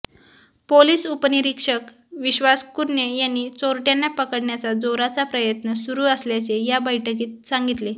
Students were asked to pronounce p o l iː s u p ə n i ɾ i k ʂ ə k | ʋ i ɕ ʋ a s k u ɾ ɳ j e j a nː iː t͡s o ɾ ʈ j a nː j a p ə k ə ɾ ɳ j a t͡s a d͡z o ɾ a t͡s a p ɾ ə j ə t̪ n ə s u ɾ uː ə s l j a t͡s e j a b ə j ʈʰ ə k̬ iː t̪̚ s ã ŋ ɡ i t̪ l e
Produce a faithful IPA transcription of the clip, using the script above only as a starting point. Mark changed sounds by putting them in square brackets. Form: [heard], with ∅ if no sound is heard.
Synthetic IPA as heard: p o l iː s u p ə n i ɾ i k ʂ ə k | ʋ i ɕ ʋ a s k u ɾ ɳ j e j a nː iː t͡s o ɾ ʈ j a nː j a p ə k ə [ɽ] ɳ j a t͡s a d͡z o ɾ a t͡s a p ɾ ə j ə t̪ n ə s u ɾ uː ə s l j a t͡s e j a b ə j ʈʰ ə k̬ iː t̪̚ s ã ŋ ɡ i t̪ l e